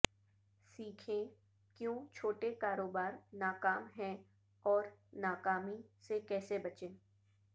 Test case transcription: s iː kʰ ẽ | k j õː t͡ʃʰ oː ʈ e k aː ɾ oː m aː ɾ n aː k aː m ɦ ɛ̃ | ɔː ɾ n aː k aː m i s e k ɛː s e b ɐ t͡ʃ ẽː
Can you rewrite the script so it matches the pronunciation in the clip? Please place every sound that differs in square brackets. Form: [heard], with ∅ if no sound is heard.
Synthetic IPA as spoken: s iː kʰ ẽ | k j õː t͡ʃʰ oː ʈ e k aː ɾ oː [b] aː ɾ n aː k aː m ɦ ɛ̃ | ɔː ɾ n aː k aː m i s e k ɛː s e b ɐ t͡ʃ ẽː